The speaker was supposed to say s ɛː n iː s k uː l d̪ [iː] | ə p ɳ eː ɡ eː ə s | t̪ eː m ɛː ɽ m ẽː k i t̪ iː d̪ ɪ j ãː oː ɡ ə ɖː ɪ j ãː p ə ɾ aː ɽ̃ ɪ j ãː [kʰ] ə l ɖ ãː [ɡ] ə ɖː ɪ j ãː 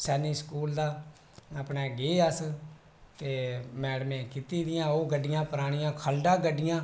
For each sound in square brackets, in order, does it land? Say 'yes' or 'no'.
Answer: no, yes, yes

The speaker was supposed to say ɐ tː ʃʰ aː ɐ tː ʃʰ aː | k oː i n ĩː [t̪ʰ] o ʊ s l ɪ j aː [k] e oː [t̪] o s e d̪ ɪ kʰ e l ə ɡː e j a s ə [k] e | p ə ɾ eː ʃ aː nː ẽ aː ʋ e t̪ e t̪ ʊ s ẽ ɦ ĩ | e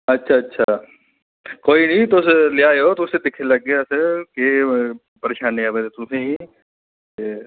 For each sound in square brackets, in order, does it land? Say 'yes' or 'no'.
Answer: no, no, yes, yes

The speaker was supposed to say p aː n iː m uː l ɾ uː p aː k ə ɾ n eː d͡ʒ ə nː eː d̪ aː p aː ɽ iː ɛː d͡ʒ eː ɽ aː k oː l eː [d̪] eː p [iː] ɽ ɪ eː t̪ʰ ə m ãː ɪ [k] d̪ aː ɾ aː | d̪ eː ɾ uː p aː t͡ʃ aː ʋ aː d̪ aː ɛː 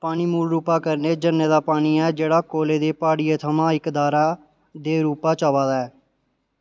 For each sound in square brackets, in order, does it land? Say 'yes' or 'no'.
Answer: yes, no, yes

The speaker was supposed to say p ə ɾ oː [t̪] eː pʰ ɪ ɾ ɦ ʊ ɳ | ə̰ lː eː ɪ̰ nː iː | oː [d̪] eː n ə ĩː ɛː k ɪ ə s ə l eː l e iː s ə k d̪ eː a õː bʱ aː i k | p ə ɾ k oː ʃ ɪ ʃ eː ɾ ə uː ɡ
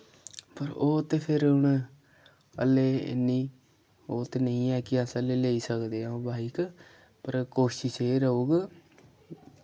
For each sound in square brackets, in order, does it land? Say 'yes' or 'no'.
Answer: yes, no

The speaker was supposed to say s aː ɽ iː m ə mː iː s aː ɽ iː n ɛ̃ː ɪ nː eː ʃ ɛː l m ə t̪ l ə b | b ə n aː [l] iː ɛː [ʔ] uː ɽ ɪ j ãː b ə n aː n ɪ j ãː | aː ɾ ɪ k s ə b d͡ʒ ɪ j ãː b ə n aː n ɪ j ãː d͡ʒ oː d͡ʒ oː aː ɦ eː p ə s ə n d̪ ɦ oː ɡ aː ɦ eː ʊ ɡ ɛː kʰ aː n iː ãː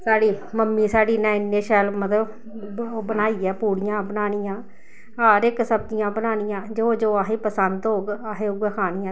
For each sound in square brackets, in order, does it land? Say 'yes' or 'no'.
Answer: no, no

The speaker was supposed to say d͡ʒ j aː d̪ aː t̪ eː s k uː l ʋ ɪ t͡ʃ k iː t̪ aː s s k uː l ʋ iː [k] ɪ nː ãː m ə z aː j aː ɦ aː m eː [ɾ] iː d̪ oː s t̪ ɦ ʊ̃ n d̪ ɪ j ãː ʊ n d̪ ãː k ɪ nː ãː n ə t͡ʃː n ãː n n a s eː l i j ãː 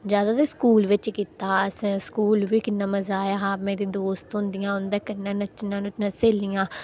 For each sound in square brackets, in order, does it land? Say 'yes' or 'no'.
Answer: yes, yes

